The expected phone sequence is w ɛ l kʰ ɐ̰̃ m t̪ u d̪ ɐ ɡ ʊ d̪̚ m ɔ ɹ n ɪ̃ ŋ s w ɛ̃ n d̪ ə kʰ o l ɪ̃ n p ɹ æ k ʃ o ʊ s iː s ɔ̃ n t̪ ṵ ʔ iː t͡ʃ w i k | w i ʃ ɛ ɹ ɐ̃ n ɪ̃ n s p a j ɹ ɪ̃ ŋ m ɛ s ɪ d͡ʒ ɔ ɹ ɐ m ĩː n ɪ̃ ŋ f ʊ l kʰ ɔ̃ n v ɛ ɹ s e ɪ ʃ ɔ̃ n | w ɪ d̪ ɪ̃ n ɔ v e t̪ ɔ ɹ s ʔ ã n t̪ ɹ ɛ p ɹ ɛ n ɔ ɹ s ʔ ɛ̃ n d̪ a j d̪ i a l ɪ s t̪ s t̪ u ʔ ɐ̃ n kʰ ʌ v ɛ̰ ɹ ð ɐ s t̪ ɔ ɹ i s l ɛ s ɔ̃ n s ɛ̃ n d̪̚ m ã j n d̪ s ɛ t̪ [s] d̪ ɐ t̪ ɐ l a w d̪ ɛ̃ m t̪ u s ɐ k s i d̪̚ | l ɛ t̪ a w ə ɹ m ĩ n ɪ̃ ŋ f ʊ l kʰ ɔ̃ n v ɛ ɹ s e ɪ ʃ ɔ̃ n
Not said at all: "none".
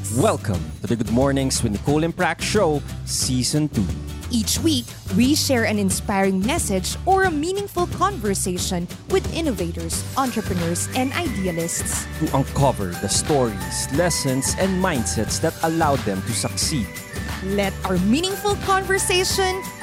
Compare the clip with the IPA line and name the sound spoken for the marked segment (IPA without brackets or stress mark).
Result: s